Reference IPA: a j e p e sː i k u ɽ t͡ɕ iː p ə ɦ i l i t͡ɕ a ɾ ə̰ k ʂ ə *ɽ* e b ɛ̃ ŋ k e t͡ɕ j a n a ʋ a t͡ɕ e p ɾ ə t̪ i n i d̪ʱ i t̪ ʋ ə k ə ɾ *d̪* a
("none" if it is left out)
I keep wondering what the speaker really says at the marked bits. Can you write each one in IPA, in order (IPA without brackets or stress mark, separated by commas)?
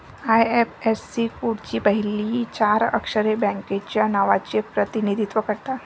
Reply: ɾ, t̪